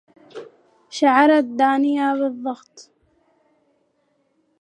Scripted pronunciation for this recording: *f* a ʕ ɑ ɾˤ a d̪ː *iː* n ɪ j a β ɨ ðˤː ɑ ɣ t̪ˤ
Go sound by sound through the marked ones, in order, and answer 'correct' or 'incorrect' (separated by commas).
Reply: incorrect, incorrect